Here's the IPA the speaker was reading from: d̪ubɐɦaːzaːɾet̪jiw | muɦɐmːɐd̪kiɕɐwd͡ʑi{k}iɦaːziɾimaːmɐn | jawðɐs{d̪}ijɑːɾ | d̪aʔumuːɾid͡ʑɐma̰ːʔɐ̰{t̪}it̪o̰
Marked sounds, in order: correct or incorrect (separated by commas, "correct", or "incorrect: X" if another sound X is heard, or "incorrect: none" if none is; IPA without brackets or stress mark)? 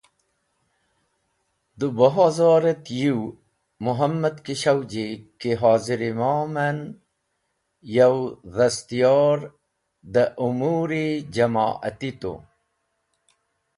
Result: correct, incorrect: t̪, correct